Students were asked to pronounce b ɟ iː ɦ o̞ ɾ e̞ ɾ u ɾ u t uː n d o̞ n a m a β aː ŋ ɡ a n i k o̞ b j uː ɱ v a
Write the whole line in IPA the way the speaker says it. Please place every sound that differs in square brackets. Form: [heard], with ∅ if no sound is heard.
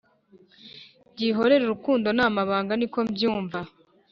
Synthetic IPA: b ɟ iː ɦ o̞ ɾ e̞ ɾ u ɾ u [k] uː n d o̞ n a m a β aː ŋ ɡ a n i k o̞ b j uː ɱ v a